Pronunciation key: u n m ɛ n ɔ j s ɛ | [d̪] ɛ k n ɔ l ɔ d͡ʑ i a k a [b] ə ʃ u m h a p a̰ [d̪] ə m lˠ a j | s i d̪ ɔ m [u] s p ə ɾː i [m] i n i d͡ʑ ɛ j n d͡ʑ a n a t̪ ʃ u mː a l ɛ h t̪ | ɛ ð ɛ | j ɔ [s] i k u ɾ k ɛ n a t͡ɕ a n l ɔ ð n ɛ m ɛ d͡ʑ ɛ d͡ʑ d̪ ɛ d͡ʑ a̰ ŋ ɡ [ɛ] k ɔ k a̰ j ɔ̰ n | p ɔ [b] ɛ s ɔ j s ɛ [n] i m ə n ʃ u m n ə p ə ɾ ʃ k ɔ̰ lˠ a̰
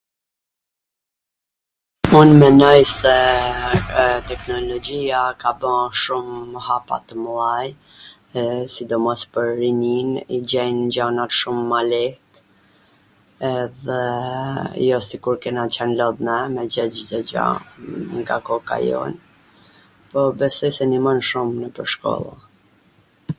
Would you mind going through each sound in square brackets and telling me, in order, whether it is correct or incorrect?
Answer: incorrect, correct, incorrect, incorrect, incorrect, correct, incorrect, correct, correct

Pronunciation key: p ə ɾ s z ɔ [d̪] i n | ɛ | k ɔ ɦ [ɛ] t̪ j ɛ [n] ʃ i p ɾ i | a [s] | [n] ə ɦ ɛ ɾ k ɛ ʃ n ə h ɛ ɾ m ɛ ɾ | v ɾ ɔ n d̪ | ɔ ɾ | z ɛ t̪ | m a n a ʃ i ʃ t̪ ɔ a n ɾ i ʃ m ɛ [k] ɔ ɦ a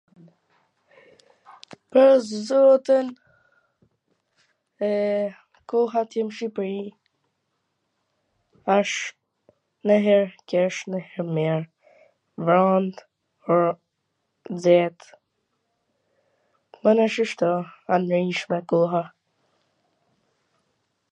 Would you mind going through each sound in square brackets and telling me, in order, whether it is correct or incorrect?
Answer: incorrect, incorrect, incorrect, incorrect, correct, correct

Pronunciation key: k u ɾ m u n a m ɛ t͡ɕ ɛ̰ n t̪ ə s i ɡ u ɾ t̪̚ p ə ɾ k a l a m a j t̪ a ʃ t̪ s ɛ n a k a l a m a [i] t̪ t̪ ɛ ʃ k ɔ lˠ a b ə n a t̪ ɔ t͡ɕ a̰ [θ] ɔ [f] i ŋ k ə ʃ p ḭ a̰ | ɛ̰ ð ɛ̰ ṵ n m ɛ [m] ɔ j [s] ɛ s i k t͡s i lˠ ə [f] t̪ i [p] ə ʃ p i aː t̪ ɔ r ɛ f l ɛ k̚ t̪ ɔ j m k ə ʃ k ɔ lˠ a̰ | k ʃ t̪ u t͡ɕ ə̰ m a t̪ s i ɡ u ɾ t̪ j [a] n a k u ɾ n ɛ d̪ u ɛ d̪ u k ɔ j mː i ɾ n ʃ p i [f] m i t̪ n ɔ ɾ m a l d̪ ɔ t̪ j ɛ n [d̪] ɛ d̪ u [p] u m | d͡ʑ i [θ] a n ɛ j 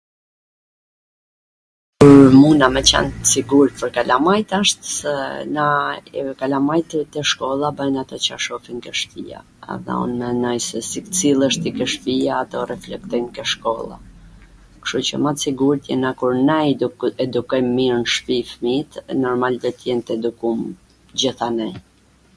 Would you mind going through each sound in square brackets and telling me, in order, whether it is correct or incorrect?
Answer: incorrect, incorrect, correct, incorrect, correct, incorrect, incorrect, incorrect, correct, incorrect, incorrect, correct

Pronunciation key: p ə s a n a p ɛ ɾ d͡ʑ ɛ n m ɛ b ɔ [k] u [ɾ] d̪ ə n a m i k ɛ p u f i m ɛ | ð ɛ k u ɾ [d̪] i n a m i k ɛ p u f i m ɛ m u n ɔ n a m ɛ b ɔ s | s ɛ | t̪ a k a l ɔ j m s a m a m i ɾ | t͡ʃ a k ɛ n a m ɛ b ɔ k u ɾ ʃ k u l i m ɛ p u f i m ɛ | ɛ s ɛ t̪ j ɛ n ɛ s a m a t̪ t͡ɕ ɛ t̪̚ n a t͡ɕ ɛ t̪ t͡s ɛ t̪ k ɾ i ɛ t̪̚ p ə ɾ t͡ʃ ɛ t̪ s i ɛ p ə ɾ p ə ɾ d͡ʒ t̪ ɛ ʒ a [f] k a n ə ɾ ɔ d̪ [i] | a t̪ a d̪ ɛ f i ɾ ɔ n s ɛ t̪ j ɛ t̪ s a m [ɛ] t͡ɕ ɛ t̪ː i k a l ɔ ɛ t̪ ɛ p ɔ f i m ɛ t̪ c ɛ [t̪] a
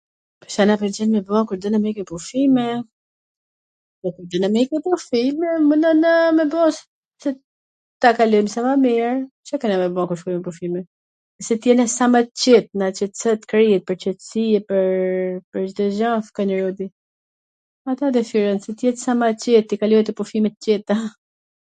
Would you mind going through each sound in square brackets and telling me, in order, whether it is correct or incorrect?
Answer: correct, correct, correct, correct, correct, incorrect, correct

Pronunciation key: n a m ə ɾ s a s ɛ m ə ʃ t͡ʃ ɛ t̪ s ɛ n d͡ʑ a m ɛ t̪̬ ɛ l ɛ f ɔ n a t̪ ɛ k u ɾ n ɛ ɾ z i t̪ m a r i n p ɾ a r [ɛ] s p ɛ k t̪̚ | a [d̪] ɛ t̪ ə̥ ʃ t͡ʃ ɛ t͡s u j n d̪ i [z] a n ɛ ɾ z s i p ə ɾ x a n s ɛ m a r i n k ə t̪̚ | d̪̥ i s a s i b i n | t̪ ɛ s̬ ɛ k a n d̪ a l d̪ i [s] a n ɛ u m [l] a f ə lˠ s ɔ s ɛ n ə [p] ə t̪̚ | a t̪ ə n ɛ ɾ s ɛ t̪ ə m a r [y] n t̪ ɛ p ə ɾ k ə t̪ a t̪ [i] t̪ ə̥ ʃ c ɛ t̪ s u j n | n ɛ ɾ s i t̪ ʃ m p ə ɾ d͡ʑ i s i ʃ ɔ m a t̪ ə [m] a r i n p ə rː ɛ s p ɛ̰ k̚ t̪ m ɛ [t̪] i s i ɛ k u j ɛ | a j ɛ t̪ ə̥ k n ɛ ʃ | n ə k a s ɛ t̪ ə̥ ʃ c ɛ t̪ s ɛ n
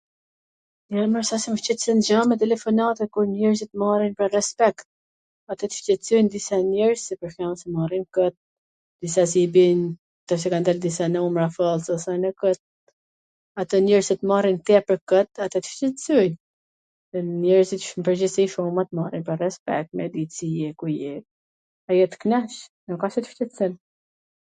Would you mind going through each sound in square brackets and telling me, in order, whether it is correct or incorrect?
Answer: correct, incorrect, incorrect, correct, incorrect, incorrect, incorrect, incorrect, correct, incorrect

